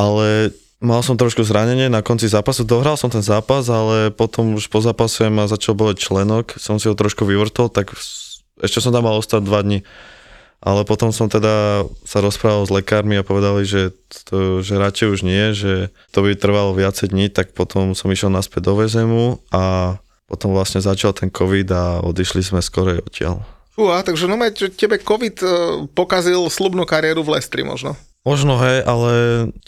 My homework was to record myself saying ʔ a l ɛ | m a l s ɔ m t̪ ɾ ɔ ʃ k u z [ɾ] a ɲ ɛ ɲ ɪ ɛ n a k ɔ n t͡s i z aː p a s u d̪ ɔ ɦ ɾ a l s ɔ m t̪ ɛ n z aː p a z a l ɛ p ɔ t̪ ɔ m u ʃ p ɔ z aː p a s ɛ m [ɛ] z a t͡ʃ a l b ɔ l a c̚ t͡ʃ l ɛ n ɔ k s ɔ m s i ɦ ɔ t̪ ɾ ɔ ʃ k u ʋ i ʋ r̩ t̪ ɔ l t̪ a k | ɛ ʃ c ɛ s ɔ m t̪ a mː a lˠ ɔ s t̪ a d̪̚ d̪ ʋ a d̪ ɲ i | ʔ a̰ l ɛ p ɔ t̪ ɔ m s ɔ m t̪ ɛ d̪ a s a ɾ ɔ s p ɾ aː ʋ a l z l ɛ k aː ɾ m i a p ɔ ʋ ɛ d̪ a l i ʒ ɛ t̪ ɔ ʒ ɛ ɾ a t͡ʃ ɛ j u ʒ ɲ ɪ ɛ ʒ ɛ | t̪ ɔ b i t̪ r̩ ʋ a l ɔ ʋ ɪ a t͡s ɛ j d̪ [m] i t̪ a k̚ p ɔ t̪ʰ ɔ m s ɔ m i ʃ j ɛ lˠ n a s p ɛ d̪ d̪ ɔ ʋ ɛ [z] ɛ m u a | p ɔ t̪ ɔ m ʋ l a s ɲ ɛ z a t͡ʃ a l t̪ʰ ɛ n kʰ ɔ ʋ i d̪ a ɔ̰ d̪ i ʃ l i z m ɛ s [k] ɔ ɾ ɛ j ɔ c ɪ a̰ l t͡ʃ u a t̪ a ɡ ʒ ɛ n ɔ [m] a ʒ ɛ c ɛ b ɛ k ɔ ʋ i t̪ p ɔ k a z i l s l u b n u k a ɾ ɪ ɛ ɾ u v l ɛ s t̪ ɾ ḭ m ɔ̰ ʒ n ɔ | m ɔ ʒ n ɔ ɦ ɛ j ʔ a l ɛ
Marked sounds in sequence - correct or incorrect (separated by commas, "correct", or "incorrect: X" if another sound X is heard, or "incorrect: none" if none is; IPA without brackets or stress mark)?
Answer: correct, incorrect: a, incorrect: ɲ, correct, correct, correct